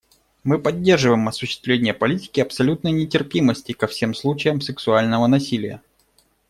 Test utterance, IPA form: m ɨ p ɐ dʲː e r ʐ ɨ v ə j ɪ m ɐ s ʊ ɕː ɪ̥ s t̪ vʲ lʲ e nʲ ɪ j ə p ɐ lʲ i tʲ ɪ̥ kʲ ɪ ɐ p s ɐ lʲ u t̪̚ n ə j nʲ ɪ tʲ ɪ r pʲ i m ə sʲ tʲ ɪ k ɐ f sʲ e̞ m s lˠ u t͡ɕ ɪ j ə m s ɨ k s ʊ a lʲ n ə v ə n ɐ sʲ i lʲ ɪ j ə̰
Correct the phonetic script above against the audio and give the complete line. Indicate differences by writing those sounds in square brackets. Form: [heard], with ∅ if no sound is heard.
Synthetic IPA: m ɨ p ɐ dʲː e r ʐ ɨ v ə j ɪ m ɐ s ʊ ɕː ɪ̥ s t̪ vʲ lʲ e nʲ ɪ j ə p ɐ lʲ i tʲ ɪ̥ kʲ ɪ ɐ p s ɐ lʲ u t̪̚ n ə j nʲ ɪ tʲ ɪ r pʲ i m ə sʲ tʲ ɪ k ɐ f sʲ e̞ m s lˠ u t͡ɕ ɪ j ə m s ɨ k s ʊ a lʲ n ə v ə n ɐ sʲ i lʲ ɪ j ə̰